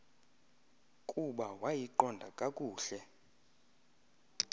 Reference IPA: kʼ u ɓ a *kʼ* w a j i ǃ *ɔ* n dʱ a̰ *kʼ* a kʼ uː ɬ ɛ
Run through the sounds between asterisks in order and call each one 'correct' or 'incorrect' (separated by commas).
incorrect, correct, correct